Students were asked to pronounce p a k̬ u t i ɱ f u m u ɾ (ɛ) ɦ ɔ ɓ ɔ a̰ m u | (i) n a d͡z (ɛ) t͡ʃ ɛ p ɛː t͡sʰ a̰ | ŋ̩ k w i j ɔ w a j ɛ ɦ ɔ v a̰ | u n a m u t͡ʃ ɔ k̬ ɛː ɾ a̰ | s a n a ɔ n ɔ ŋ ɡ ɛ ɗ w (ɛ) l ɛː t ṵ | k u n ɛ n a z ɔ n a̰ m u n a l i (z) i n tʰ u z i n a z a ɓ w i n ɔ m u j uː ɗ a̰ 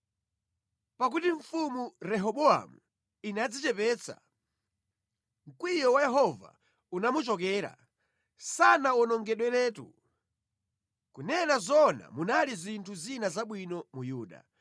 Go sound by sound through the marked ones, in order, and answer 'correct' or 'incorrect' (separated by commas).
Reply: correct, correct, incorrect, correct, correct